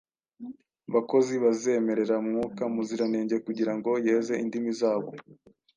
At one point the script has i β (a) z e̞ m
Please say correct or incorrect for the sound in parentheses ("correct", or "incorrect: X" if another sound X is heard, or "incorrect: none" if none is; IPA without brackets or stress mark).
correct